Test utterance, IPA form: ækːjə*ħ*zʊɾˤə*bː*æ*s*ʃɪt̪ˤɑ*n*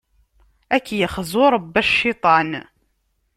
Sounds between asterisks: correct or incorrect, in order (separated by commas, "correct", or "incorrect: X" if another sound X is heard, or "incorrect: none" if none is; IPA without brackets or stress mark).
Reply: incorrect: χ, correct, incorrect: ʃ, correct